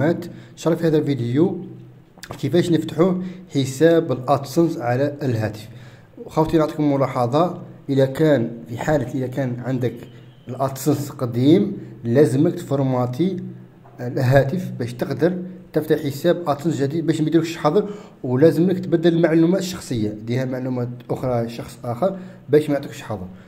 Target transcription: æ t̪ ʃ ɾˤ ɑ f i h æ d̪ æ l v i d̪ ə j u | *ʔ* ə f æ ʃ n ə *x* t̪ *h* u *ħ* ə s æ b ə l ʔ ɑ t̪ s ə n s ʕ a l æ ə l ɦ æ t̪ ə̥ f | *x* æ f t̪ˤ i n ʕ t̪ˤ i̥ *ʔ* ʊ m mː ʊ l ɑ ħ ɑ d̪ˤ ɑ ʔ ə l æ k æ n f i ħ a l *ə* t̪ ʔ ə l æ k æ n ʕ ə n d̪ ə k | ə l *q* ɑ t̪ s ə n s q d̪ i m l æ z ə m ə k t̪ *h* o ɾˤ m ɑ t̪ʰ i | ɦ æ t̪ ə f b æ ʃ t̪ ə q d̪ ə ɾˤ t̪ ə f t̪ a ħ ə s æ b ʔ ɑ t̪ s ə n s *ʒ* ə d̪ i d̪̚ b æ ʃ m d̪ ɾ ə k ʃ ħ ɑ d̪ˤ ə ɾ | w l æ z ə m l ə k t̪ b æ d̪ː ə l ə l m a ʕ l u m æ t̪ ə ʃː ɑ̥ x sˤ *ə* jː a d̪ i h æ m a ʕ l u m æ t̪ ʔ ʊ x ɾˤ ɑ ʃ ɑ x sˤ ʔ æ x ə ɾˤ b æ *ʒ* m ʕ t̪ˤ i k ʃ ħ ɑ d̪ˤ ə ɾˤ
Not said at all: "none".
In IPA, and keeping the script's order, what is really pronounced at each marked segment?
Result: k, f, ħ, ħ, x, k, ə, ʔ, f, ʒ, ə, ʃ

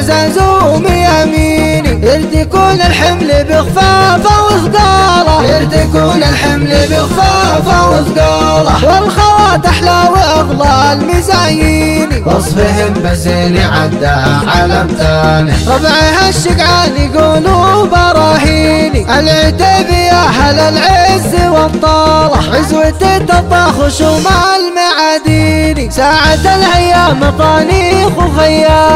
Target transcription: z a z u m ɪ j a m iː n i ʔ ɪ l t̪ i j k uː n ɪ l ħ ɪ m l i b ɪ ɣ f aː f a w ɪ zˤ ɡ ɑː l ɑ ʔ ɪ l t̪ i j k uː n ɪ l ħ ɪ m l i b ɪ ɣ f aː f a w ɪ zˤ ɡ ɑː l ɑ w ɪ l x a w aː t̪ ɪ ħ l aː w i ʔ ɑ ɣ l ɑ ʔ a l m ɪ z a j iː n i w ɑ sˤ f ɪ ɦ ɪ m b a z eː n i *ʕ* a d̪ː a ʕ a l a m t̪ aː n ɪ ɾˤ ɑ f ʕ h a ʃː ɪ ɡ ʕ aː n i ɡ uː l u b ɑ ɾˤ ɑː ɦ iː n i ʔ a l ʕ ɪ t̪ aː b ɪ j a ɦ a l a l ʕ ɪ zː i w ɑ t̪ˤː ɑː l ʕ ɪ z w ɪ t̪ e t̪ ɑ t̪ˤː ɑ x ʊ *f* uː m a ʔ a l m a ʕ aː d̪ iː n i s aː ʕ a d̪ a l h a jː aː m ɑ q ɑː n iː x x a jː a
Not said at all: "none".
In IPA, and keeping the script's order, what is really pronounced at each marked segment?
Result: ʕ, ʃ

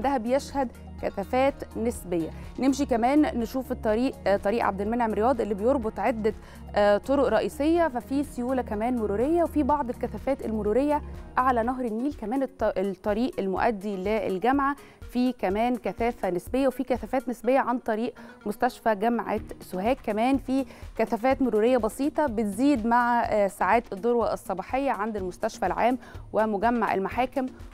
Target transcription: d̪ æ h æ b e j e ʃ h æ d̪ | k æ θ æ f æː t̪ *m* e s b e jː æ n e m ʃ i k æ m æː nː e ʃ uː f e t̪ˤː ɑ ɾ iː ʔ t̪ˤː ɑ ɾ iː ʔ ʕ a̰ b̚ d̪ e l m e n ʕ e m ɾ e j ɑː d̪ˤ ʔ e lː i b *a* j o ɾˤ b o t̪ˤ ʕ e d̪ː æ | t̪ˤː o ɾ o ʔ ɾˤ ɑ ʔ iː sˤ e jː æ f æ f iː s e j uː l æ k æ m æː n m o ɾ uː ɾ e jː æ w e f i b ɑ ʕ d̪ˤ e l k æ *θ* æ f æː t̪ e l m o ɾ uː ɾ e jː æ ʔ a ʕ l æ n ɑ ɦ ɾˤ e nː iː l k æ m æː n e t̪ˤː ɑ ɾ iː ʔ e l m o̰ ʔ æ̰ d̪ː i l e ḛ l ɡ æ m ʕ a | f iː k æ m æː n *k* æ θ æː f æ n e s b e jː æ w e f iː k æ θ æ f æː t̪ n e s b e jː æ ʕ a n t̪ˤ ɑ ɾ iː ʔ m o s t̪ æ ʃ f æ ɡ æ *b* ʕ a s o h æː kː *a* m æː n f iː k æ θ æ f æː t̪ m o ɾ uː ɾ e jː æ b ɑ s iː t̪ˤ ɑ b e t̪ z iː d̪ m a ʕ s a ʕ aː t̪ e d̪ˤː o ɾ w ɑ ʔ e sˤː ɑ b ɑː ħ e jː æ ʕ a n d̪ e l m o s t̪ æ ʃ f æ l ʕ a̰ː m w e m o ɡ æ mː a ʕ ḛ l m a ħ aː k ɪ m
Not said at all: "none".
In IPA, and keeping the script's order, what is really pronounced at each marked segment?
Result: n, e, θ, k, m, æ

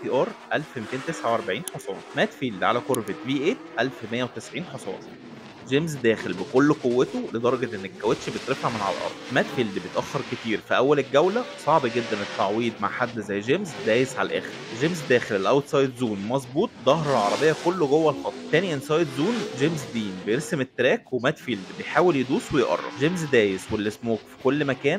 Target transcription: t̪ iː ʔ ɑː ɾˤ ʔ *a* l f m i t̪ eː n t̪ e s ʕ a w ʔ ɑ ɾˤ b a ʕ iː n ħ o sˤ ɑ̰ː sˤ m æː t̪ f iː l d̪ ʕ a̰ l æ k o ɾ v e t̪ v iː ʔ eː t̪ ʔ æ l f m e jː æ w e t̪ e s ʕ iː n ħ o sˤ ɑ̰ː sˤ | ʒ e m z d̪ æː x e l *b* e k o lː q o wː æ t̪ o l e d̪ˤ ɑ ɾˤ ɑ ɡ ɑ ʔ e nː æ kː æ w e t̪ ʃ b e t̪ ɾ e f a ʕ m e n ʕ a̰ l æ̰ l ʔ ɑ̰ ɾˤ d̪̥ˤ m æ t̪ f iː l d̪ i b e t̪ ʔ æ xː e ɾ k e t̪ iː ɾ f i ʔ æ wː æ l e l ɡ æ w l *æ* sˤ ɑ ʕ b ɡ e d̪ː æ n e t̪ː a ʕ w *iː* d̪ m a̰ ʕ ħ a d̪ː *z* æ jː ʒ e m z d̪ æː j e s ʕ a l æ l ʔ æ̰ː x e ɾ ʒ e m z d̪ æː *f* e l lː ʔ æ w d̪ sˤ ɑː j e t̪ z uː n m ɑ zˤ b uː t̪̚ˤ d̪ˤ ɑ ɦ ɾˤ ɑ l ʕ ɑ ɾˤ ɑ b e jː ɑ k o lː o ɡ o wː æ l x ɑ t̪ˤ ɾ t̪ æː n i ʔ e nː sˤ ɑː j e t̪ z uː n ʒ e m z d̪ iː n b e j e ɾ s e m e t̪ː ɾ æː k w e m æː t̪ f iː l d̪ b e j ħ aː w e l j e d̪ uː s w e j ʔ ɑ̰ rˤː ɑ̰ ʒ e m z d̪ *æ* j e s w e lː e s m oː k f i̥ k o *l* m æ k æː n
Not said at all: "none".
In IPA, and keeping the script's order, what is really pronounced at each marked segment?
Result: æ, b, æ, iː, z, x, æː, lː

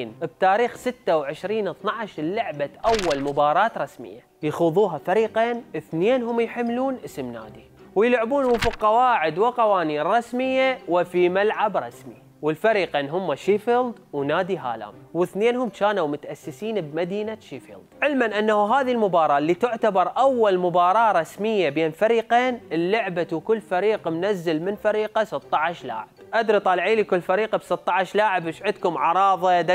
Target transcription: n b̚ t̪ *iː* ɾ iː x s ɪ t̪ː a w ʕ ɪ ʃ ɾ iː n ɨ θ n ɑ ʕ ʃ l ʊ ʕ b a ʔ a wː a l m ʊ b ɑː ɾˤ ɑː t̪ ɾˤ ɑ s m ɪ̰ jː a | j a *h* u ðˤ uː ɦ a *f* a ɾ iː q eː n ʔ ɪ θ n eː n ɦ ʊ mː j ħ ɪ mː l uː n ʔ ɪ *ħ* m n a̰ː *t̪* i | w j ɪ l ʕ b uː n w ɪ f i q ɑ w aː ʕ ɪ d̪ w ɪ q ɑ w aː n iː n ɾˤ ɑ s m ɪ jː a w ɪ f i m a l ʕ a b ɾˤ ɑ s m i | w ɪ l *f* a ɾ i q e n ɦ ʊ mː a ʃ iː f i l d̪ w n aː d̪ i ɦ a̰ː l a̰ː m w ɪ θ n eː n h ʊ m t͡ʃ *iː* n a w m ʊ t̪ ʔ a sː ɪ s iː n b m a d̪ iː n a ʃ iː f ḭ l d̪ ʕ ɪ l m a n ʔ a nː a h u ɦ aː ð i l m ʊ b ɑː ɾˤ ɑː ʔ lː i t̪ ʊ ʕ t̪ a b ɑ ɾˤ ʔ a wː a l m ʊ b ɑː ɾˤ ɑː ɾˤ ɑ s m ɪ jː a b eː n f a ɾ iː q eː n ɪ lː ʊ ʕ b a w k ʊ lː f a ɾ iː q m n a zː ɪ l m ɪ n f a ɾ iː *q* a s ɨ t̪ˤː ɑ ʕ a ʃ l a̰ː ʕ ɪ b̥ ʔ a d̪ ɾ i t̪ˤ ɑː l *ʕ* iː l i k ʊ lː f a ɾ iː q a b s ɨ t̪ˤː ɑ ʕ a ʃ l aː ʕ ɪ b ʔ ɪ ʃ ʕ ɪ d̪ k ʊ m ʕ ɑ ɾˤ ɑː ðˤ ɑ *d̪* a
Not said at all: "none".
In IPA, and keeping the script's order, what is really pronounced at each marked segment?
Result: aː, x, f, s, d̪, f, aː, q, ʕ, d̪

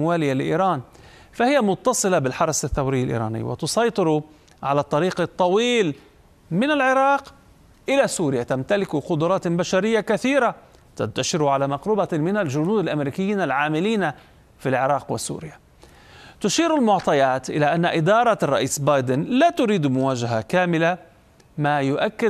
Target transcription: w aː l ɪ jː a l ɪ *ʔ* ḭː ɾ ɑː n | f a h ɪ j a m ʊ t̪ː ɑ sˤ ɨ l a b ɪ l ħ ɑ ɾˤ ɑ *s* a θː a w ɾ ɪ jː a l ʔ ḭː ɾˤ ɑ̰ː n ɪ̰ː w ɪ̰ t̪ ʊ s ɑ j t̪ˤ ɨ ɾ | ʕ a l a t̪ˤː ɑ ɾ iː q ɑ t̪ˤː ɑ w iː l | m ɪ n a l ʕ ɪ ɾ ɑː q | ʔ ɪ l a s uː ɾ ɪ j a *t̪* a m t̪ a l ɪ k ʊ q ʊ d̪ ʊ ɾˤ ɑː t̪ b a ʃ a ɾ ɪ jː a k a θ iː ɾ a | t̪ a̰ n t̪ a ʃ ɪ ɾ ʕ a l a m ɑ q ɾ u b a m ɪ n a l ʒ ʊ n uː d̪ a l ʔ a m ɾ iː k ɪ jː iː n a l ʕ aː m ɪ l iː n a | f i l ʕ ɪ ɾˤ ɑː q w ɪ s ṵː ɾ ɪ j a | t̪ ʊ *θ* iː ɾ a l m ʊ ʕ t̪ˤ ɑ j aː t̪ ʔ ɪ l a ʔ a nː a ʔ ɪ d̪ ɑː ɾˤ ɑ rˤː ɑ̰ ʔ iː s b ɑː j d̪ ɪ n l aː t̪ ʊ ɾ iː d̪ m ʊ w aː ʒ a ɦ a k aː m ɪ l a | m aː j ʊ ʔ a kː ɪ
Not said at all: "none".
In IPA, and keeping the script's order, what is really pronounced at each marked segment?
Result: ʔ, s, t̪, ʃ

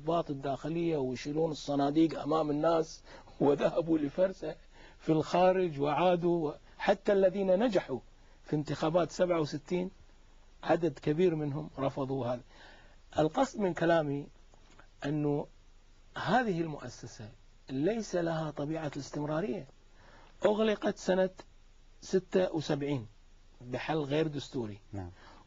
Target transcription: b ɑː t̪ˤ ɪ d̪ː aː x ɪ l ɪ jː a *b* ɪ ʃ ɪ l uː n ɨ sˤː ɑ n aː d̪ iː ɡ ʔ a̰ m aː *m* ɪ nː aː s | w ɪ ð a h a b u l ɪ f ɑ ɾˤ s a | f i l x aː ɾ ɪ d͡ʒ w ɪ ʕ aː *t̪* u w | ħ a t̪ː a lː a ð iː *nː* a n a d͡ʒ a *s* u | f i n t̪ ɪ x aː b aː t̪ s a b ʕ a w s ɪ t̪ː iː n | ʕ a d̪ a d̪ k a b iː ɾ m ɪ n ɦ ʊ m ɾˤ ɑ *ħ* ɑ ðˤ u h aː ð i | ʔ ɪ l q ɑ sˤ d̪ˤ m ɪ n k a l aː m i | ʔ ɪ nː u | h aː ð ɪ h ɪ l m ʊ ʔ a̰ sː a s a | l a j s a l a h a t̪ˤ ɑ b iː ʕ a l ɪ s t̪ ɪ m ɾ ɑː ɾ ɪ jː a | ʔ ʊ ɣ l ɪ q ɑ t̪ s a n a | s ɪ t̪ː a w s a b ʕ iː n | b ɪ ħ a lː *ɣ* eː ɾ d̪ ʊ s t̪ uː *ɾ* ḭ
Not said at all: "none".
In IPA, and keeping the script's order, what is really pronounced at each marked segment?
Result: w, m, d̪, n, ħ, f, ɣ, ɾ

